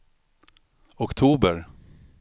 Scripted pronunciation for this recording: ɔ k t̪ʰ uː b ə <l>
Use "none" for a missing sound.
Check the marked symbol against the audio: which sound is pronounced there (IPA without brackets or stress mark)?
ɾ